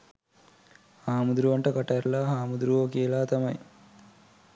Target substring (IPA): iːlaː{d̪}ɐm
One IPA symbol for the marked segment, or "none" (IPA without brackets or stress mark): t̪